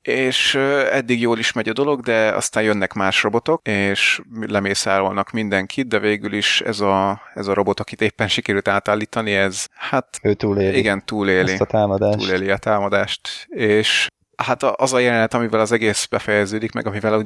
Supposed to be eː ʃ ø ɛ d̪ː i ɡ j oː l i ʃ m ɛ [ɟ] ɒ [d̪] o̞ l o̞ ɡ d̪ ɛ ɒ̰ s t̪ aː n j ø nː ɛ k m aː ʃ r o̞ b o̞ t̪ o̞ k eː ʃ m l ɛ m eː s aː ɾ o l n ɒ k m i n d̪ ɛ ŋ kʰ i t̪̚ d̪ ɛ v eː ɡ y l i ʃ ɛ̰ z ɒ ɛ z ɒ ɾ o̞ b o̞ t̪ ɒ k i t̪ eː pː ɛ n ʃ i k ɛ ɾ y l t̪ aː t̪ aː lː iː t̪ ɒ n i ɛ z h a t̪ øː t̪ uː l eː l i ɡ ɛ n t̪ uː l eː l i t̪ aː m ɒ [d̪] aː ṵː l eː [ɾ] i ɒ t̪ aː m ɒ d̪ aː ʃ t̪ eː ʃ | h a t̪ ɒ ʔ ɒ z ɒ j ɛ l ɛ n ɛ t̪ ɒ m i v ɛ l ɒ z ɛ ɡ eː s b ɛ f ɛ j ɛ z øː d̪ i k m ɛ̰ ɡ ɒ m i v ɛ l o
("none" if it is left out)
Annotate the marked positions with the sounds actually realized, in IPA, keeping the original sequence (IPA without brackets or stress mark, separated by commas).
ɟ, d̪, d̪, l